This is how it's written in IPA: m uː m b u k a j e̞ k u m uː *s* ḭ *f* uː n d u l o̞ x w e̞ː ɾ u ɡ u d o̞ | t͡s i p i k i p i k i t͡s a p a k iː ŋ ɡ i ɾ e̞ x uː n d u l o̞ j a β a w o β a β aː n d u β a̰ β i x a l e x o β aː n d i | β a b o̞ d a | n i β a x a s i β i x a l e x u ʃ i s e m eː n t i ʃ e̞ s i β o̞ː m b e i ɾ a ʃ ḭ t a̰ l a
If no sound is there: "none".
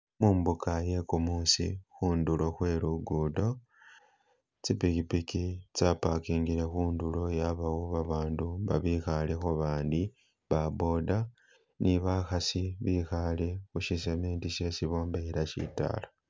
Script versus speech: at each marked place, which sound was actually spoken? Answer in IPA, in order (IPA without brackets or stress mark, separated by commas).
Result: s, x